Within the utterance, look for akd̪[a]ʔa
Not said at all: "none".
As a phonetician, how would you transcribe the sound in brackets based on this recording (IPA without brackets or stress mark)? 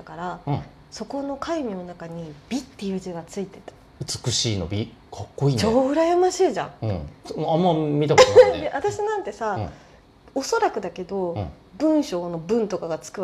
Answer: e